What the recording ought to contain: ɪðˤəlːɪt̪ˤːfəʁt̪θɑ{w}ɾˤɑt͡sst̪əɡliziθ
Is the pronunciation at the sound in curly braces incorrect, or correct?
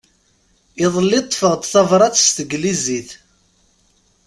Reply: incorrect